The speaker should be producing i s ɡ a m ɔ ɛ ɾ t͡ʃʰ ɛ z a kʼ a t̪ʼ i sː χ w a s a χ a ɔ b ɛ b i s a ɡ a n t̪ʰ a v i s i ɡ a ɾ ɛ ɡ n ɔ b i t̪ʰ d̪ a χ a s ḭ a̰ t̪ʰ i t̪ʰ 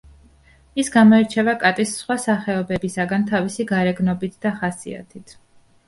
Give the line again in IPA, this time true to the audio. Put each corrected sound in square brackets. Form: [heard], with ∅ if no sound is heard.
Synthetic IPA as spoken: i s ɡ a m ɔ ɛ ɾ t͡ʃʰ ɛ [v] a kʼ a t̪ʼ i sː χ w a s a χ [ɛ] ɔ b ɛ b i s a ɡ a n t̪ʰ a v i s i ɡ a ɾ ɛ ɡ n ɔ b i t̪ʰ d̪ a χ a s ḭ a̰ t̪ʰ i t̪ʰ

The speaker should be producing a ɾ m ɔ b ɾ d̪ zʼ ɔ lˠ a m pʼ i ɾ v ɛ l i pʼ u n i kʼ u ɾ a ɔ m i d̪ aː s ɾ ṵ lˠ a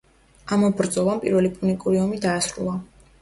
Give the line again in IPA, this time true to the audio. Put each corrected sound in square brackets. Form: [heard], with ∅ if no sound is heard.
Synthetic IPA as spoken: a [∅] m ɔ b ɾ d̪ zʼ ɔ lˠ a m pʼ i ɾ v ɛ l i pʼ u n i kʼ u ɾ [i] ɔ m i d̪ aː s ɾ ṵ lˠ a

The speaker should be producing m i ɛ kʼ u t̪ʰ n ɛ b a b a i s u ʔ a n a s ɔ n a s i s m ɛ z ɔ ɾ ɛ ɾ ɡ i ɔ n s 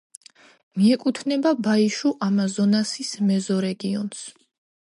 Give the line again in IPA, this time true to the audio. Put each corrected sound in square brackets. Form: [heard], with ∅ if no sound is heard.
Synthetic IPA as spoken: m i ɛ kʼ u t̪ʰ n ɛ b a b a i [ʃ] u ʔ a [m] a [z] ɔ n a s i s m ɛ z ɔ ɾ ɛ [∅] ɡ i ɔ n s

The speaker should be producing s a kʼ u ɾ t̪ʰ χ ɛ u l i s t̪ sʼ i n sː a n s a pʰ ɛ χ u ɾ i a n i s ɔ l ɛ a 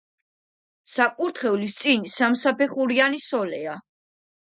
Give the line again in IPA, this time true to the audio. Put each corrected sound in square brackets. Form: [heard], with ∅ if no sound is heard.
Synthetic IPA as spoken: s a kʼ u ɾ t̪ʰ χ ɛ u l i s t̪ sʼ i n [s] a [m] s a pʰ ɛ χ u ɾ i a n i s ɔ l ɛ a

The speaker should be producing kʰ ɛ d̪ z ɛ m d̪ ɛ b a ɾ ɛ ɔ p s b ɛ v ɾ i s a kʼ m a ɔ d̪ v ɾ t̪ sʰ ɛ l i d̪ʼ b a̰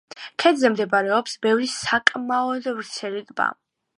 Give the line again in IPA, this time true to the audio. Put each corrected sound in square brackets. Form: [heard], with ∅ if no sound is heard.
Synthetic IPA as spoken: kʰ ɛ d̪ z ɛ m d̪ ɛ b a ɾ ɛ ɔ p s b ɛ v ɾ i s a kʼ m a ɔ d̪ v ɾ t̪ sʰ ɛ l i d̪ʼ b a̰

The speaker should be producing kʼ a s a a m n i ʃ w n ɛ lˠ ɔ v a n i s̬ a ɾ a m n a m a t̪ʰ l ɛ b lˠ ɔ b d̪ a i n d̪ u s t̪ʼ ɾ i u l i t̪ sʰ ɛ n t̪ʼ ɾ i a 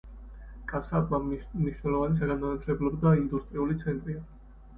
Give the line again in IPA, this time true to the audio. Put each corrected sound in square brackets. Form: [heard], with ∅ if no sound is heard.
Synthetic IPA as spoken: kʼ a s a a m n i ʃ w n ɛ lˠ ɔ v a n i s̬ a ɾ a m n a [n] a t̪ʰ l ɛ b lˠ ɔ b d̪ a i n d̪ u s t̪ʼ ɾ i u l i t̪ sʰ ɛ n t̪ʼ ɾ i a

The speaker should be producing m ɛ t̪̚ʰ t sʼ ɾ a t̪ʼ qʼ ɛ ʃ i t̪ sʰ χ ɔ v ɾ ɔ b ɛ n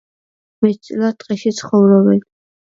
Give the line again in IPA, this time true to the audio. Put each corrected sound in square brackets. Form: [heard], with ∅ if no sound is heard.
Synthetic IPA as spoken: m ɛ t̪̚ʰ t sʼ [l] a t̪ʼ qʼ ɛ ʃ i t̪ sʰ χ ɔ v ɾ ɔ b ɛ n

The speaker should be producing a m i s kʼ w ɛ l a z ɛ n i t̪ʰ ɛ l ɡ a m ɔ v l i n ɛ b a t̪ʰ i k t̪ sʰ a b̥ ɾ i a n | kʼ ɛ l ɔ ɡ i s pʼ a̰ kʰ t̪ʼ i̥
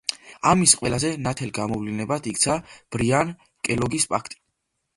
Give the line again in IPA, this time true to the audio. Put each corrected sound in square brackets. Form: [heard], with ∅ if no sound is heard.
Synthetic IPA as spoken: a m i s [qʼ] w ɛ l a z ɛ n [a] t̪ʰ ɛ l ɡ a m ɔ v l i n ɛ b a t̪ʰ i k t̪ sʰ a b̥ ɾ i a n | kʼ ɛ l ɔ ɡ i s pʼ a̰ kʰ t̪ʼ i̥

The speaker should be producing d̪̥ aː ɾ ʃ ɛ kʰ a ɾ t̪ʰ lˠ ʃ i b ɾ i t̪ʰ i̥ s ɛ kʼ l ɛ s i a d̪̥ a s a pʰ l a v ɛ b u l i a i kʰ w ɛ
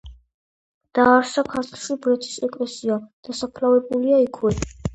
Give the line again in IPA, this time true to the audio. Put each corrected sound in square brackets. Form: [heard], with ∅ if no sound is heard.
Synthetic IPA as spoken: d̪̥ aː ɾ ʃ [a] kʰ a ɾ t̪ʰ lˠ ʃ i b ɾ [ɛ] t̪ʰ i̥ s ɛ kʼ l ɛ s i a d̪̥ a s a pʰ l a v ɛ b u l i a i kʰ w ɛ

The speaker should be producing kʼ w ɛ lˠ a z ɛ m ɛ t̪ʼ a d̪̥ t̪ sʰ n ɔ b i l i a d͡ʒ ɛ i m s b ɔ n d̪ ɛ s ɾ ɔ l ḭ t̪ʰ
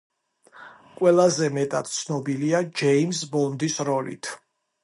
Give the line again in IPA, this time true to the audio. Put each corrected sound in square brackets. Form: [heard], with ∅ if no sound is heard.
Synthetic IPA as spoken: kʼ w ɛ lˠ a z ɛ m ɛ t̪ʼ a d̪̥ t̪ sʰ n ɔ b i l i a d͡ʒ ɛ i m s b ɔ n d̪ [i] s ɾ ɔ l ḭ t̪ʰ

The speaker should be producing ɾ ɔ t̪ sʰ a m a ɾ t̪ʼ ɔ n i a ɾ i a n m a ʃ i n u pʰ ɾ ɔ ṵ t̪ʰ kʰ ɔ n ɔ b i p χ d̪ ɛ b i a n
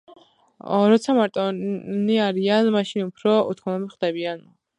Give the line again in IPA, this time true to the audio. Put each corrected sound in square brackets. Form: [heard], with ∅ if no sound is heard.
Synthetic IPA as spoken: ɾ ɔ t̪ sʰ a m a ɾ t̪ʼ ɔ n i a ɾ i a n m a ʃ i n u pʰ ɾ ɔ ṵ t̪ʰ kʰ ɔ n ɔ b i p χ d̪ ɛ b i a n

